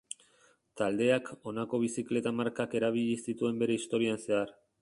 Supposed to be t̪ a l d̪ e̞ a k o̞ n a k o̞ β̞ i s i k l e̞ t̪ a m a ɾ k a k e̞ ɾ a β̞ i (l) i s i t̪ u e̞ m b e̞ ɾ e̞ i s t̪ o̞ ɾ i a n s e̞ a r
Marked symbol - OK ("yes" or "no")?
no